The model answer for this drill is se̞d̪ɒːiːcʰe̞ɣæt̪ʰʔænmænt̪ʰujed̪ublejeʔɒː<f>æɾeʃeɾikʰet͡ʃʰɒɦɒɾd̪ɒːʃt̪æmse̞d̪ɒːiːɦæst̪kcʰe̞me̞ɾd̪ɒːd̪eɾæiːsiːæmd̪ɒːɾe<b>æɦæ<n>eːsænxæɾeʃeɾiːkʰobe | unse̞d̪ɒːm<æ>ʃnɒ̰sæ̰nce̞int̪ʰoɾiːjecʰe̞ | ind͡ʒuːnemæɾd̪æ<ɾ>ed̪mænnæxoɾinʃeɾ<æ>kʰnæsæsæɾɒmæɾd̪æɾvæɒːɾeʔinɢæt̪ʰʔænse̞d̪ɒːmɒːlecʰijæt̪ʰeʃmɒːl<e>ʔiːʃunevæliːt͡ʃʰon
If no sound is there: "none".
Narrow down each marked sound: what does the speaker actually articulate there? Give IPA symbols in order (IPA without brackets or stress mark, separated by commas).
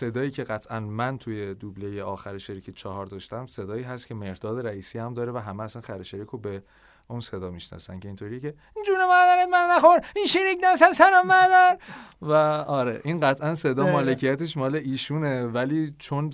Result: x, v, m, i, ɾ, i, e